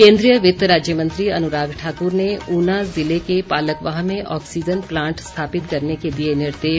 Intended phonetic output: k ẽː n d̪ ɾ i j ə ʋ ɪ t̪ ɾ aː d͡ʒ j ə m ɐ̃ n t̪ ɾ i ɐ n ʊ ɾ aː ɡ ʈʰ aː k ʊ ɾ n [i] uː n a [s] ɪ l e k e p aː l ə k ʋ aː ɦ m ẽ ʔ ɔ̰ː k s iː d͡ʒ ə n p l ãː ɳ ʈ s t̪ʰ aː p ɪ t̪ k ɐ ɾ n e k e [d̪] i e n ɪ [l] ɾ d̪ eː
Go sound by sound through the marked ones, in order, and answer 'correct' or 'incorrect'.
incorrect: e, incorrect: z, correct, incorrect: none

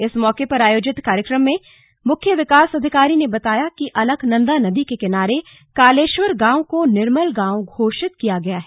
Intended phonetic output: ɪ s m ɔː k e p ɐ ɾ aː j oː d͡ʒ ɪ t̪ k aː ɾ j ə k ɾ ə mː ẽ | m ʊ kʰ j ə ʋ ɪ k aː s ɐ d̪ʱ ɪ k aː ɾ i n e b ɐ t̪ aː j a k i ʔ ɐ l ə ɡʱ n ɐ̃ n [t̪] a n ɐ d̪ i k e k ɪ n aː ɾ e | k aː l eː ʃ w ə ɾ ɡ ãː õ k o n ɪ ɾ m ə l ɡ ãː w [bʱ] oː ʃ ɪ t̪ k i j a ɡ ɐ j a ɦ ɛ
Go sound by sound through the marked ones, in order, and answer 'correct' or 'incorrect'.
incorrect: d̪, incorrect: ɡʱ

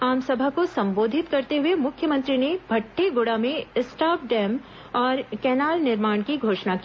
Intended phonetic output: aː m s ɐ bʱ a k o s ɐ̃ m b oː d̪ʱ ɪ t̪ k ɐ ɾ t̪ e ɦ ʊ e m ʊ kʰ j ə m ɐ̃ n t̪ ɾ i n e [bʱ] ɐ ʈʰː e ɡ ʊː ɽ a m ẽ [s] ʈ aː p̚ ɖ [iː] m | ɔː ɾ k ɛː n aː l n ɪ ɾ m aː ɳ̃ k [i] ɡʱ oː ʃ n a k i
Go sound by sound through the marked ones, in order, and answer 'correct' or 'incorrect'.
correct, correct, incorrect: ɛː, correct

